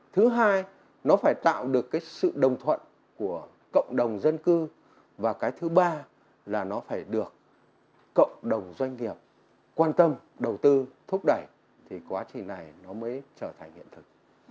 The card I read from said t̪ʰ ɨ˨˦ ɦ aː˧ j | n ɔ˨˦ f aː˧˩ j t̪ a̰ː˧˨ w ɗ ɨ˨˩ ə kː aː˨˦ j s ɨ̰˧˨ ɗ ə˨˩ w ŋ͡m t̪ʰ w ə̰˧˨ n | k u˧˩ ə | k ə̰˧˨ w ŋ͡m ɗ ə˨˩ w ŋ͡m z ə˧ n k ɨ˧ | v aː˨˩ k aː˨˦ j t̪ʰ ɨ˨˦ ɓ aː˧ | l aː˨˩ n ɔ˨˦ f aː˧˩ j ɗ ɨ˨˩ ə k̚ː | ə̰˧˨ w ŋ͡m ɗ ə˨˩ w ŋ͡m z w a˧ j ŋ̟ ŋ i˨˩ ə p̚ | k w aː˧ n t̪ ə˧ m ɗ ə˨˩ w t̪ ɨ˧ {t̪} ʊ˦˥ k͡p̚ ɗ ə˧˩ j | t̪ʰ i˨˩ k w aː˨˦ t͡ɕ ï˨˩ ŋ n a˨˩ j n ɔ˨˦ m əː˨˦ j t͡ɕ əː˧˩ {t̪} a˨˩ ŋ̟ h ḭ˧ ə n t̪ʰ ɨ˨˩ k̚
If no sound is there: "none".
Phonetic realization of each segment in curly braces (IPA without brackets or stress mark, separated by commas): t̪ʰ, t̪ʰ